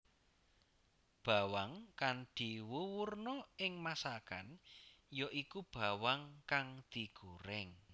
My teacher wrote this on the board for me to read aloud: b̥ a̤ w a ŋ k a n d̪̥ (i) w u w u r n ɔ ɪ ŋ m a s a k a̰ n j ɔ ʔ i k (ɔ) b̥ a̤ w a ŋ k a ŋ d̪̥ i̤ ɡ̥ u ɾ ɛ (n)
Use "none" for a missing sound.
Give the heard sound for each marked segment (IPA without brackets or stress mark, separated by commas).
i, u, ŋ